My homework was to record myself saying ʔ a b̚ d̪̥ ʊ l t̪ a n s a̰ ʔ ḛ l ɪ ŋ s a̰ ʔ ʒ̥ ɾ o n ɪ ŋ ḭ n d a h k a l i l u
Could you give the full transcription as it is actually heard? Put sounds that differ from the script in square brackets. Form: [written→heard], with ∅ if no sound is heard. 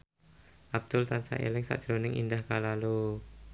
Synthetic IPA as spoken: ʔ a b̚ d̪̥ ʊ l t̪ a n s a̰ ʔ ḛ l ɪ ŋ s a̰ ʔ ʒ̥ ɾ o n ɪ ŋ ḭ n d a h k a l [i→a] l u